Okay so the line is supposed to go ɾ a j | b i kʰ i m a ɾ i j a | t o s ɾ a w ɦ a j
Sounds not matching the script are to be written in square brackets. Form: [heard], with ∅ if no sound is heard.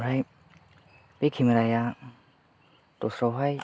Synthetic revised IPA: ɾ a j | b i kʰ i m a ɾ [a] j a | t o s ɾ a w ɦ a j

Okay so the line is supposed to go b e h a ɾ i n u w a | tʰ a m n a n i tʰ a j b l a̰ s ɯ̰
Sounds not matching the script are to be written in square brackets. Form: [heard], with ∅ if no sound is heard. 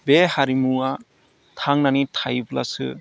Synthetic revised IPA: b e h a ɾ i [m] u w a | tʰ a [ŋ] n a n i tʰ a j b l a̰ s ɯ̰

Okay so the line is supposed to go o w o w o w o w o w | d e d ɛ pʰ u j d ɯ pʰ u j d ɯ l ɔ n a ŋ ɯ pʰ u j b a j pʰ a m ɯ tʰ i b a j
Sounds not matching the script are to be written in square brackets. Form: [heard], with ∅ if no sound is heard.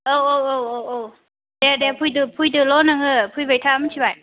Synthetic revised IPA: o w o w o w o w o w | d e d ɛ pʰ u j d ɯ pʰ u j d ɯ l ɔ n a ŋ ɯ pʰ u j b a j [tʰ] a m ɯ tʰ i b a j

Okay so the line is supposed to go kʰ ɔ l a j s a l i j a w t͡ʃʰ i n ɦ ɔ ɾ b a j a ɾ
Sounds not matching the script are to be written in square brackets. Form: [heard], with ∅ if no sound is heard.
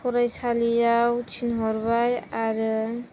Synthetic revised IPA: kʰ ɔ [ɾ] a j s a l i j a w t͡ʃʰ i n ɦ ɔ ɾ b a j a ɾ

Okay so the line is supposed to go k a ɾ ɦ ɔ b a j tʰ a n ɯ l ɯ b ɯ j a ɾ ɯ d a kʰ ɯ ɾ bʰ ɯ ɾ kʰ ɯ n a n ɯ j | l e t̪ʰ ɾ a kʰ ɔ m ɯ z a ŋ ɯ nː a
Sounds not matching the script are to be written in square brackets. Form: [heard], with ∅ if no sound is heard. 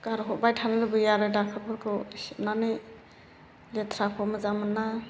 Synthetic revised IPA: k a ɾ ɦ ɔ b a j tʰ a n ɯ l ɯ b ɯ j a ɾ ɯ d a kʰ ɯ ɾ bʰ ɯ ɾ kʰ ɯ n a n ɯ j | l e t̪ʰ ɾ a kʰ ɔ m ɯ z a [m] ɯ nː a

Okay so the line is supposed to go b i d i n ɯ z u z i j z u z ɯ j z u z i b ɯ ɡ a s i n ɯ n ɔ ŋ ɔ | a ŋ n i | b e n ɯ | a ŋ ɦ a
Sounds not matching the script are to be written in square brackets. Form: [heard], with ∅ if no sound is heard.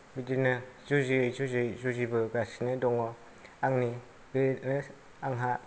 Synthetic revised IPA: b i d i n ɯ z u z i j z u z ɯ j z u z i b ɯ ɡ a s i n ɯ [d] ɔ ŋ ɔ | a ŋ n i | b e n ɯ | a ŋ ɦ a

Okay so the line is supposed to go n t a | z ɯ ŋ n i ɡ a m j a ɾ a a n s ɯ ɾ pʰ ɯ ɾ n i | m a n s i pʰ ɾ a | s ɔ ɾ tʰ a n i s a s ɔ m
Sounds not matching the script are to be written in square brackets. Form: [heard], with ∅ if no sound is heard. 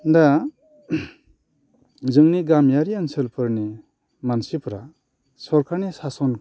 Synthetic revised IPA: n [d] a | z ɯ ŋ n i ɡ a m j a ɾ [i] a n s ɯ [l] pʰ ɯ ɾ n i | m a n s i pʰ ɾ a | s ɔ ɾ [kʰ] a n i s a s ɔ [n]

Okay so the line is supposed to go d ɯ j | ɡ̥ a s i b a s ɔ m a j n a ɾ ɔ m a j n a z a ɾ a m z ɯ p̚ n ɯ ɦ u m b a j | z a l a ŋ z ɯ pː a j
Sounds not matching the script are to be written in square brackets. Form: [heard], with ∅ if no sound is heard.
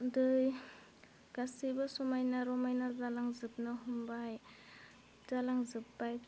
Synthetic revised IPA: d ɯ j | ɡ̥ a s i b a s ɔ m a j n a ɾ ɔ m a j n a z a [l] a [ŋ] z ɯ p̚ n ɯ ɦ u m b a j | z a l a ŋ z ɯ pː a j

